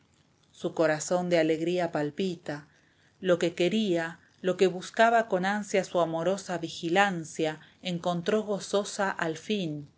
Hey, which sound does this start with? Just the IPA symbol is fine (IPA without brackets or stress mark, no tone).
s